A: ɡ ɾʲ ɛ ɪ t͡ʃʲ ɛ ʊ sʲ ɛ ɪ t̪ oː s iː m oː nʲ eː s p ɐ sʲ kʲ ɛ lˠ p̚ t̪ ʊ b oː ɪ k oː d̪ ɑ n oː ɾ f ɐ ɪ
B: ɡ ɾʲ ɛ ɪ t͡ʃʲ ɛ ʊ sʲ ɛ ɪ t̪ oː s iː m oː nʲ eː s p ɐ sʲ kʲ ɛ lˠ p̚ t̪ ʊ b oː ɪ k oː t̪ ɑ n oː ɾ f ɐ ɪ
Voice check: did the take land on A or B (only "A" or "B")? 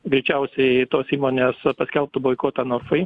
B